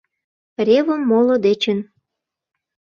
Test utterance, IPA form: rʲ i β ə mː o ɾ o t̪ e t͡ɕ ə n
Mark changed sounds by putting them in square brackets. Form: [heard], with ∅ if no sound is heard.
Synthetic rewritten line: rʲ [e] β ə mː o [l] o [d̪] e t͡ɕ ə n